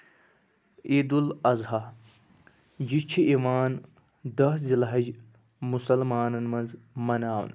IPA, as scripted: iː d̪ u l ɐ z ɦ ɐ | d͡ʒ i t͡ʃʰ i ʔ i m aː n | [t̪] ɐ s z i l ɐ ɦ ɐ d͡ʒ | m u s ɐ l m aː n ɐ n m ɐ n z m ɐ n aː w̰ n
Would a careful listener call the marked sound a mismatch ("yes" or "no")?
yes